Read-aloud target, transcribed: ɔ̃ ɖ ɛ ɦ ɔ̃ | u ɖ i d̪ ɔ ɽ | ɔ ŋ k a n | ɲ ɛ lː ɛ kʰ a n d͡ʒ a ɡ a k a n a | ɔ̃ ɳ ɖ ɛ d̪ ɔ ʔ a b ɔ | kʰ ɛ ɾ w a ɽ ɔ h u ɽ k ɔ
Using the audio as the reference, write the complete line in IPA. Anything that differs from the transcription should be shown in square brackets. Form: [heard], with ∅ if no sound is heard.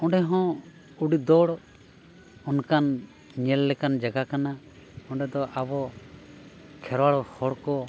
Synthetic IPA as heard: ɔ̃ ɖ ɛ ɦ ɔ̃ | u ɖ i d̪ ɔ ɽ | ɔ [n] k a n | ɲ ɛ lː ɛ [k] a n d͡ʒ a ɡ a k a n a | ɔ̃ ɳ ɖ ɛ d̪ ɔ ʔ a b ɔ | kʰ ɛ ɾ w a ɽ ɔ h [ɔ] ɽ k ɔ